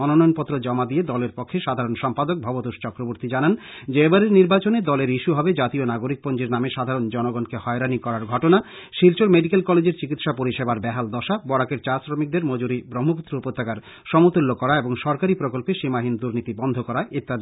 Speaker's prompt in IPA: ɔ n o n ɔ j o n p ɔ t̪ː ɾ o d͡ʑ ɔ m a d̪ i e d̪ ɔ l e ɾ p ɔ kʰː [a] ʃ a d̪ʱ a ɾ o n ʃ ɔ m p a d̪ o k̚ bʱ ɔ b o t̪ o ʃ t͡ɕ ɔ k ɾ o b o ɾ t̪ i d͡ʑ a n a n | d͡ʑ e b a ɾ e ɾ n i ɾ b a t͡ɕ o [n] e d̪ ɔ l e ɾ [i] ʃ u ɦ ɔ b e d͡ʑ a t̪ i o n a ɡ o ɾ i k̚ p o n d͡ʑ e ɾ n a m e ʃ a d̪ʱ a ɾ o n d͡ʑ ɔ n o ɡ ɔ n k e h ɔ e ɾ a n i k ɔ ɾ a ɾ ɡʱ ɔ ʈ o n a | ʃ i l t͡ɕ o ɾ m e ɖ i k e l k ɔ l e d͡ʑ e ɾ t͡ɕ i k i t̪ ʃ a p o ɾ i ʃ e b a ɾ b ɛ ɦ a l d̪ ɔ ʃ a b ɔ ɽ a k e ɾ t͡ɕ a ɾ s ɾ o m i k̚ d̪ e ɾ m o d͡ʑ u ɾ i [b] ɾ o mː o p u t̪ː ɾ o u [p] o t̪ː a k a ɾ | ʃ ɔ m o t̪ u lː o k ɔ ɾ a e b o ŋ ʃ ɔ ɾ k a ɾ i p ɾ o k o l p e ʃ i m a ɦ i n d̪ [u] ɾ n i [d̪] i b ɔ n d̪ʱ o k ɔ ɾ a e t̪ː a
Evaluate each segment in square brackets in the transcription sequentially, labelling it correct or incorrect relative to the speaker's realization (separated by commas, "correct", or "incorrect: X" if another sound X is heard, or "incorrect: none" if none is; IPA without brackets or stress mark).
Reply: incorrect: e, correct, correct, correct, correct, correct, incorrect: t̪